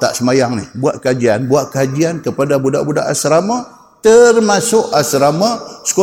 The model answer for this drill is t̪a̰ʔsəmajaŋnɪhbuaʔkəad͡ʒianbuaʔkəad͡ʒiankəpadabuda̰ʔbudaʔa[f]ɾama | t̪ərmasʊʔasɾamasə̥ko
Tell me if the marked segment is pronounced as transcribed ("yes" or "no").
no